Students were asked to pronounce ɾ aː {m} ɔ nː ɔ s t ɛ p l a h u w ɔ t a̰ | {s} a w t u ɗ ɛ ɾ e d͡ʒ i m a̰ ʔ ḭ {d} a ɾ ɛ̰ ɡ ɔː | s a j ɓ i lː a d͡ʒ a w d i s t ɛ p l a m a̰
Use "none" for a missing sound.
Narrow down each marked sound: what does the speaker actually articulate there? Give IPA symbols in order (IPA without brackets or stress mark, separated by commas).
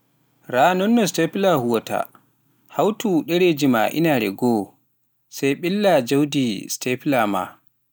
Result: n, h, n